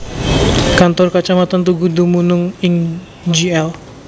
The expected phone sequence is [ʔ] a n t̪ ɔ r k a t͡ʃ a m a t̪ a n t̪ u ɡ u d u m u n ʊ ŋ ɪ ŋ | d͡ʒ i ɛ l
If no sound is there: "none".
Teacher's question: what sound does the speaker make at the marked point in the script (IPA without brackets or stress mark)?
k